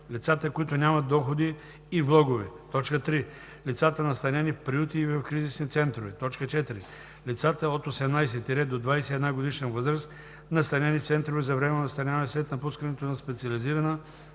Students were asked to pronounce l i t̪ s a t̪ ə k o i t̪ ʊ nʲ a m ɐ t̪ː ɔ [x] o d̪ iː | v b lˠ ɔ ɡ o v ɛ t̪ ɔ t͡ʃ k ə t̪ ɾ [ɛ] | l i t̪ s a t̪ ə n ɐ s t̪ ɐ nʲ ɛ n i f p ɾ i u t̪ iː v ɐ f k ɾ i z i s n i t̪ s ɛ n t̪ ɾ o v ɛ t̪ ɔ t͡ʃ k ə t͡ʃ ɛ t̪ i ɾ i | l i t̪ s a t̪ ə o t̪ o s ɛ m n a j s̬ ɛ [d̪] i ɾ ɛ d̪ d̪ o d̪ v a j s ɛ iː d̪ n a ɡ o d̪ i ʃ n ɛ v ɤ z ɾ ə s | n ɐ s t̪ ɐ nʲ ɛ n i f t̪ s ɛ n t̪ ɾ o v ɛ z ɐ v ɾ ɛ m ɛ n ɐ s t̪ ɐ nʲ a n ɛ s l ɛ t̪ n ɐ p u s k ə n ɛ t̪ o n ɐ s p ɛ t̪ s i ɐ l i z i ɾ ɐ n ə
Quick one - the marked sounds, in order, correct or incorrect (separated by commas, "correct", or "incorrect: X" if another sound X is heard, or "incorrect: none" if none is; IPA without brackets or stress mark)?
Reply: correct, incorrect: i, incorrect: t̪